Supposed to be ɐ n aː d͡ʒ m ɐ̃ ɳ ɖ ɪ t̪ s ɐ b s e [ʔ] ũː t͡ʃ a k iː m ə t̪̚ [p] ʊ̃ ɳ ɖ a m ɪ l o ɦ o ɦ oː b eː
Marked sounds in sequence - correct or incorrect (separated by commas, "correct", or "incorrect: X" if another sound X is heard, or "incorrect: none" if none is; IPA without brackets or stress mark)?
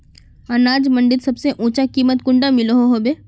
correct, incorrect: k